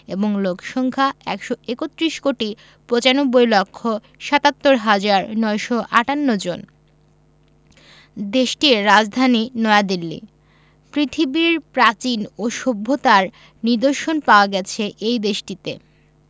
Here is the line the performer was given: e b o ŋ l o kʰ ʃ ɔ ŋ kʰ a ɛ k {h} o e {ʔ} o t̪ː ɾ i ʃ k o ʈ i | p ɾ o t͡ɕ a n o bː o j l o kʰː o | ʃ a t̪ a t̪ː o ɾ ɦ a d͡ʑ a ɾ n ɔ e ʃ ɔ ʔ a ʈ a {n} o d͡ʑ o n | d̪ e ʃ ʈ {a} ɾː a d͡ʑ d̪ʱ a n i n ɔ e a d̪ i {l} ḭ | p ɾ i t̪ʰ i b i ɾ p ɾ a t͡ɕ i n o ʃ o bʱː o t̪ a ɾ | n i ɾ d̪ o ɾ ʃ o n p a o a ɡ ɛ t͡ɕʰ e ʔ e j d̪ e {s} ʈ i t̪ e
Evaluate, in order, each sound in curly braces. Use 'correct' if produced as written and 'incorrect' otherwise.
incorrect, incorrect, incorrect, incorrect, incorrect, incorrect

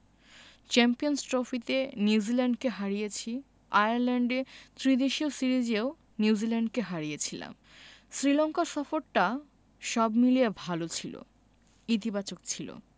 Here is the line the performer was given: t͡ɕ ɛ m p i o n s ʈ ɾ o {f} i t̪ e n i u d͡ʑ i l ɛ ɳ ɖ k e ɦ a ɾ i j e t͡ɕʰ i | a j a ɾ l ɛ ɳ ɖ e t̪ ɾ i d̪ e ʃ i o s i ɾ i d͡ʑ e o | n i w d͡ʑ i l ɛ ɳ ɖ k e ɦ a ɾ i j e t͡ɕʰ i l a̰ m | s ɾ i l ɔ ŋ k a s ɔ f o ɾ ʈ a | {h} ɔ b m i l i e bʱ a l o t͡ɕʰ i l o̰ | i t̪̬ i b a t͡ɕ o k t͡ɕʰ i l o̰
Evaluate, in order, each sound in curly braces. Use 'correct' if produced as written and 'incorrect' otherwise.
correct, incorrect

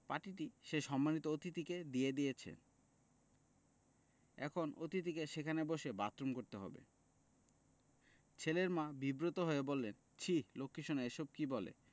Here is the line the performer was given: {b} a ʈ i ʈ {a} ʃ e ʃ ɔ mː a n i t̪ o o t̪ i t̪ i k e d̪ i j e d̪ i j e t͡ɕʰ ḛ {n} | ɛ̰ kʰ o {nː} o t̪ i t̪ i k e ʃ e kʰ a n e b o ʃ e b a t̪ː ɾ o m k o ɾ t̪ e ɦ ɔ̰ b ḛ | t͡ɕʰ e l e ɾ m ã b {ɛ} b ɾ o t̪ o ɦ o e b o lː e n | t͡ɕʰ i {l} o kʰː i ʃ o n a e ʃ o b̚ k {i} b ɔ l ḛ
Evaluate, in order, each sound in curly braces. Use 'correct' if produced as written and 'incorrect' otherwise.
incorrect, incorrect, correct, incorrect, incorrect, correct, correct

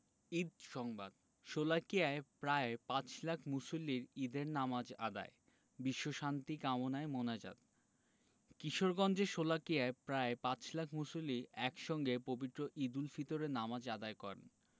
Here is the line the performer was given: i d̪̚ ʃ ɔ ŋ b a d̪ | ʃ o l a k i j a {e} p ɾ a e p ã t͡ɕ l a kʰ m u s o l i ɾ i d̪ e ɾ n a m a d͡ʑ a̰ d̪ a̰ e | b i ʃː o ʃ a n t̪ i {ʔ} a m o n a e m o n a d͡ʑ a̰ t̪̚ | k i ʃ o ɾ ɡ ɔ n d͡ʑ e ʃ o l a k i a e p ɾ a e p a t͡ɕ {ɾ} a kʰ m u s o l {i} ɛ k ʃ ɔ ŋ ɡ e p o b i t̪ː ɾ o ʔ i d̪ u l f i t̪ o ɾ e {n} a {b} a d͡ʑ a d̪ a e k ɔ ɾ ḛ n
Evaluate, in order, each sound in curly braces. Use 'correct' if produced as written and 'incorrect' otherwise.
correct, incorrect, incorrect, correct, correct, incorrect

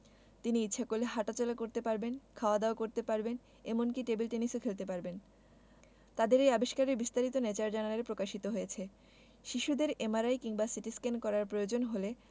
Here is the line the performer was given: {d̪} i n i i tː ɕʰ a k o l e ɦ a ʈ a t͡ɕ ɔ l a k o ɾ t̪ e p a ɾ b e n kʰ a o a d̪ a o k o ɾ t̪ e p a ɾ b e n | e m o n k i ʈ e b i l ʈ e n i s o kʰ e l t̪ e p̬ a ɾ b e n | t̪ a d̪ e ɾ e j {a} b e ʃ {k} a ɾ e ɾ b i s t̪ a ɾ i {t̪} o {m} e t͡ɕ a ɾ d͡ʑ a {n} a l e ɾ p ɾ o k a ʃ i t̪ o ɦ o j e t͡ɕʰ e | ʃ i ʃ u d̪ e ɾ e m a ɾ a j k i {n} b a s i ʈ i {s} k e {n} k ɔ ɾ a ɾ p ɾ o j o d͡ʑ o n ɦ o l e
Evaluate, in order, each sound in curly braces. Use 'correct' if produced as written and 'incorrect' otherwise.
incorrect, correct, correct, correct, incorrect, correct, incorrect, correct, correct

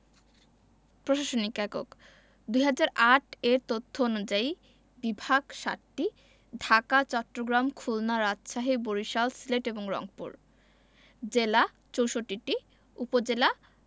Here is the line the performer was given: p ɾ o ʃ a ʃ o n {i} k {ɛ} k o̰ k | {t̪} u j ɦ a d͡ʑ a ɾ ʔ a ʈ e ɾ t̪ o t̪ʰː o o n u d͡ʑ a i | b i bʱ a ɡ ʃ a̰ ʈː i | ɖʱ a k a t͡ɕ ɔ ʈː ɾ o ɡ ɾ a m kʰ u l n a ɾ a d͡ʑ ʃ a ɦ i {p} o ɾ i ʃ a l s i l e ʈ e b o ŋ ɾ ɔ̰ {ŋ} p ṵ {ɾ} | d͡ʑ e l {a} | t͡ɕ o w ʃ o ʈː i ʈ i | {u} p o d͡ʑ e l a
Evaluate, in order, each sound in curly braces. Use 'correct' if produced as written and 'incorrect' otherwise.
correct, correct, incorrect, incorrect, correct, correct, correct, correct

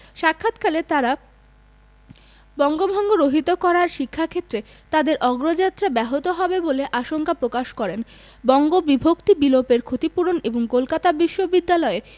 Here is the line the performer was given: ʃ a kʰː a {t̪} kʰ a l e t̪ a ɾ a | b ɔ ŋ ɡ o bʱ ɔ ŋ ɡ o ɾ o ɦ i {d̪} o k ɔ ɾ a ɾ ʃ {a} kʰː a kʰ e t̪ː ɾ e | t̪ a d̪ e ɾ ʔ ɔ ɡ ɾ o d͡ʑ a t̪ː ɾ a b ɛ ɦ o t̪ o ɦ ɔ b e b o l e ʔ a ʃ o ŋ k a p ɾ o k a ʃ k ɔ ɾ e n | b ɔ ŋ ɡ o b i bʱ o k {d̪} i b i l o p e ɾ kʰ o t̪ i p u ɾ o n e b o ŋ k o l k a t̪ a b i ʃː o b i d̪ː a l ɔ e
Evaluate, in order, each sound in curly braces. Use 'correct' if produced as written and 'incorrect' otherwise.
correct, incorrect, incorrect, incorrect

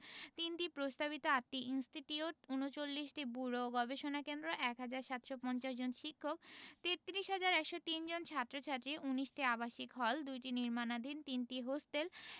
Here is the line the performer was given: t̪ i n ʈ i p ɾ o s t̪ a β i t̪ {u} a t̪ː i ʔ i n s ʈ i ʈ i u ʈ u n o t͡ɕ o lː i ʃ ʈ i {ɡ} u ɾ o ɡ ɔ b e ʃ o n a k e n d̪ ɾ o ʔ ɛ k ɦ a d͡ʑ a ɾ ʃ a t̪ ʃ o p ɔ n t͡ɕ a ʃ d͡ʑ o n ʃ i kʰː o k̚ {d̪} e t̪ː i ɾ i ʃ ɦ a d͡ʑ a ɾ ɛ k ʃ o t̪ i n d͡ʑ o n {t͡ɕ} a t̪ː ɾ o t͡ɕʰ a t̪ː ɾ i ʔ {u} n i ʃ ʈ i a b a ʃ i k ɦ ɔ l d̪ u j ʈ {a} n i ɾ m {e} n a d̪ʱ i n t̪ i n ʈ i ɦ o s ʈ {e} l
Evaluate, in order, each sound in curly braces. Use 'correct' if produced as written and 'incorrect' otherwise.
incorrect, incorrect, incorrect, incorrect, correct, incorrect, incorrect, correct

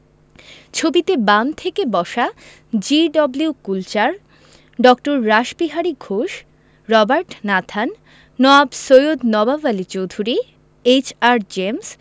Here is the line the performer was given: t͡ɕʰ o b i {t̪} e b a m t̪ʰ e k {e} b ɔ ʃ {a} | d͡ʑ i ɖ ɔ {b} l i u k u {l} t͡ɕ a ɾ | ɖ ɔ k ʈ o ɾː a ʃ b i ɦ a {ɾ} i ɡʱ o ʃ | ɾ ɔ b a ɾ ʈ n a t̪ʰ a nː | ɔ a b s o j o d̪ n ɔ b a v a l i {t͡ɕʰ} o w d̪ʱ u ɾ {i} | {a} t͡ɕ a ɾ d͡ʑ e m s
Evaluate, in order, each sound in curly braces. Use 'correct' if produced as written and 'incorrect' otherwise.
correct, correct, correct, correct, correct, correct, incorrect, correct, incorrect

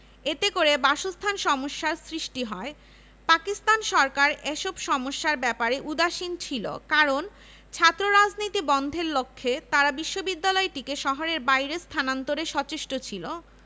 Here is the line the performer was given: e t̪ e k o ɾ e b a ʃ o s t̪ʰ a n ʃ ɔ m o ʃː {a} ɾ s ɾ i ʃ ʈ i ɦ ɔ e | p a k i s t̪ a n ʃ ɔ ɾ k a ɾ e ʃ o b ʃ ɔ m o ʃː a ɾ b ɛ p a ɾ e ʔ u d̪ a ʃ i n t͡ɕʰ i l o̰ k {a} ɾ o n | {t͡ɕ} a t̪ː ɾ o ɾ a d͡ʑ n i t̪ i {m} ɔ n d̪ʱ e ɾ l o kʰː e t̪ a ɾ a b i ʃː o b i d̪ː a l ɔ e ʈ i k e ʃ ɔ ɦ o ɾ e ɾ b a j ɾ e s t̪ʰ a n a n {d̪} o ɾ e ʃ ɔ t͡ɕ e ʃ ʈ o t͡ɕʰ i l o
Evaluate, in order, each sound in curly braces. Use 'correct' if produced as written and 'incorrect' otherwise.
correct, correct, incorrect, incorrect, incorrect

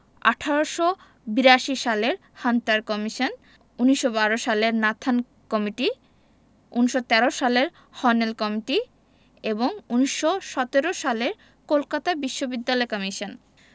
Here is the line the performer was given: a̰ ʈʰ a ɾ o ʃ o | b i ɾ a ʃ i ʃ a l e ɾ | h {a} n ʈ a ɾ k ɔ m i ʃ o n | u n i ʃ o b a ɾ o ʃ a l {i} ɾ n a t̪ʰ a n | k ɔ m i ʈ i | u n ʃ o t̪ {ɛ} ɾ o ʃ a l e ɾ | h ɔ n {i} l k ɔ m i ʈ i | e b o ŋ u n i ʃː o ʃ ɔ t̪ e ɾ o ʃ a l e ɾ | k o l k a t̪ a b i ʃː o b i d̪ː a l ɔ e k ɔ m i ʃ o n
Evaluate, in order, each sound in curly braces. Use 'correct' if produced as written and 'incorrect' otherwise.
correct, incorrect, correct, incorrect

